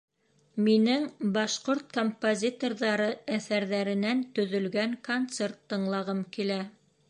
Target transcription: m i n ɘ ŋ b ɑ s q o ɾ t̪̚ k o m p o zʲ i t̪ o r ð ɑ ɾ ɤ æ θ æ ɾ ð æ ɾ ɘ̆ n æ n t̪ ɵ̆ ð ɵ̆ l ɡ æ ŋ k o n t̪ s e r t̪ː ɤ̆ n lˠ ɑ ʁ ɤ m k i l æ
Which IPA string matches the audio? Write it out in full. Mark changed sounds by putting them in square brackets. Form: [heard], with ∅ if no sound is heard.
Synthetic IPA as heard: m i n ɘ ŋ b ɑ [ʃ] q o ɾ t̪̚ k o m p o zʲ i t̪ o r ð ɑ ɾ ɤ æ θ æ ɾ ð æ ɾ ɘ̆ n æ n t̪ ɵ̆ ð ɵ̆ l ɡ æ ŋ k o n t̪ s e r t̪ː ɤ̆ [ɴ] lˠ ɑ ʁ ɤ m k i l æ